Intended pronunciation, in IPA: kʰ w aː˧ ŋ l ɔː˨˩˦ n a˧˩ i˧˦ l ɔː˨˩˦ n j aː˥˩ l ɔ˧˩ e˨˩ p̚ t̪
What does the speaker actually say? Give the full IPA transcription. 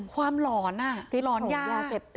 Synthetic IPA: kʰ w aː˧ m l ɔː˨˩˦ n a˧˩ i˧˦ l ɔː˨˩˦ n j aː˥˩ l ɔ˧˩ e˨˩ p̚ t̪